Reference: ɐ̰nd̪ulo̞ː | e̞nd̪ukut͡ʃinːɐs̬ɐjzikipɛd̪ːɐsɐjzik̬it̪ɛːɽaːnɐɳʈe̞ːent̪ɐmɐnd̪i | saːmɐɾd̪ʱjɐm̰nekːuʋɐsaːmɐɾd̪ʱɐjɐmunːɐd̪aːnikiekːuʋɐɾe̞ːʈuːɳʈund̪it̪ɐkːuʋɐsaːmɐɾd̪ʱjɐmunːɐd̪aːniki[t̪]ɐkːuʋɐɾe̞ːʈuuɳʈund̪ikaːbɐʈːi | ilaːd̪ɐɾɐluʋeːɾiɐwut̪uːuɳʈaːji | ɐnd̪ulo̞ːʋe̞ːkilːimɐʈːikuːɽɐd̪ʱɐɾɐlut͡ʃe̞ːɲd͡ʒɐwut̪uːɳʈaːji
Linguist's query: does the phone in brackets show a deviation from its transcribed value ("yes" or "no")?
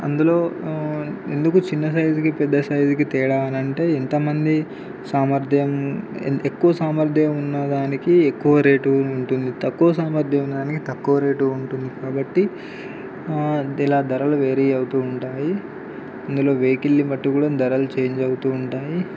no